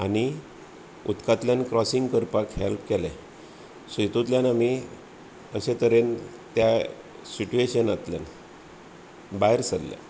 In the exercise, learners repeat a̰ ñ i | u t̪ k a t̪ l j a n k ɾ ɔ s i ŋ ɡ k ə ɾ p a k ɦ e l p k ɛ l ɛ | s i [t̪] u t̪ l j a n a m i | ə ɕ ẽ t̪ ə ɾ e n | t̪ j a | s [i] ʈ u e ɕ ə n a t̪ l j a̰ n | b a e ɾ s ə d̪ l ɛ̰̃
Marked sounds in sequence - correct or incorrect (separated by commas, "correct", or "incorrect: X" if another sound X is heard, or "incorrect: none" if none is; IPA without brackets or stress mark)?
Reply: correct, correct